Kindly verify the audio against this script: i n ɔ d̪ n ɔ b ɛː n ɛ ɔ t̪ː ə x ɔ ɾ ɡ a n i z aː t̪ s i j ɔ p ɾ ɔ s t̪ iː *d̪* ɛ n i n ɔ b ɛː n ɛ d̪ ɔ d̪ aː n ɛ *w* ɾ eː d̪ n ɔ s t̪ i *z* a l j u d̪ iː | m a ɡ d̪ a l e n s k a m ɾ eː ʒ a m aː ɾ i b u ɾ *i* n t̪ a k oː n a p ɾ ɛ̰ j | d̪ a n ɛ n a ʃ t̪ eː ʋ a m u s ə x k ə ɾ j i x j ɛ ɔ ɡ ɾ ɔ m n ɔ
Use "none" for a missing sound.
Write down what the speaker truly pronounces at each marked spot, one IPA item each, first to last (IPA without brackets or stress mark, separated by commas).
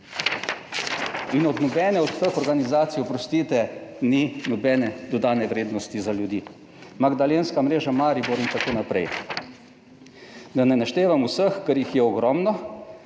t̪, ʋ, z, i